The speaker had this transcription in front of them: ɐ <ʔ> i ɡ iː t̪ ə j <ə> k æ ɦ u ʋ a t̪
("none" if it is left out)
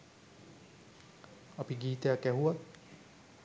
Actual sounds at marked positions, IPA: p, a

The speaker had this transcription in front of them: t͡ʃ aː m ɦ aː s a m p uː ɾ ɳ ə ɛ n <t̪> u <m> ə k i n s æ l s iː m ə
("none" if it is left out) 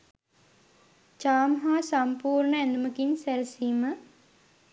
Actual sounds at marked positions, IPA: d̪, m

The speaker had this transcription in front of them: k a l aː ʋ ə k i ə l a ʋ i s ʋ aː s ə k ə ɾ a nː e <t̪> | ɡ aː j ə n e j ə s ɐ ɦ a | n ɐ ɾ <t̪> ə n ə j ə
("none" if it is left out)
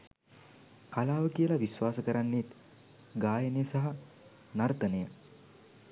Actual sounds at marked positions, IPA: t̪, t̪

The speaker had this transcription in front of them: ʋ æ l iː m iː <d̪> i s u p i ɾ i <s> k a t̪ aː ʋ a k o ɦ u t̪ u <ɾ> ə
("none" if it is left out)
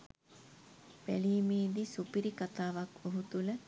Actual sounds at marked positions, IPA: d̪, none, l

